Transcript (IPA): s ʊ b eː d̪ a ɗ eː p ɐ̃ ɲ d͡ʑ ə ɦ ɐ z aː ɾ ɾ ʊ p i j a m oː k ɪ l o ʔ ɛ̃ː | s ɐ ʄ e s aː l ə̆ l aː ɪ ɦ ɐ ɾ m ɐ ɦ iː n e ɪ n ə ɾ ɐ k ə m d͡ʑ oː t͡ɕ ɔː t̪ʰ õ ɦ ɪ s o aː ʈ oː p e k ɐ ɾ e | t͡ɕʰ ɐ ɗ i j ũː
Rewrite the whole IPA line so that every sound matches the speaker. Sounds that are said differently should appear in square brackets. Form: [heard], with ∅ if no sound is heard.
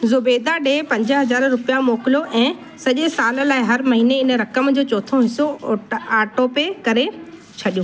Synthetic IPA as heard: [z] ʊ b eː d̪ a ɗ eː p ɐ̃ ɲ d͡ʑ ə ɦ ɐ z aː ɾ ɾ ʊ p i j a m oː k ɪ l o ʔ ɛ̃ː | s ɐ ʄ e s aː l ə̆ l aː ɪ ɦ ɐ ɾ m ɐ ɦ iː n e ɪ n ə ɾ ɐ k ə m d͡ʑ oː t͡ɕ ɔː t̪ʰ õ ɦ ɪ s o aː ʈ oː p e k ɐ ɾ e | t͡ɕʰ ɐ ɗ i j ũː